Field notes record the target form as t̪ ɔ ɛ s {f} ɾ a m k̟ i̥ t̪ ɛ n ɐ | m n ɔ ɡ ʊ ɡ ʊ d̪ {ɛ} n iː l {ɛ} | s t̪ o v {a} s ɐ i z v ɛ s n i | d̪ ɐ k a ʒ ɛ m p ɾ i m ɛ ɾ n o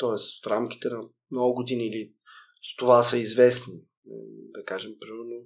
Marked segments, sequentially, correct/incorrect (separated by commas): correct, incorrect, incorrect, correct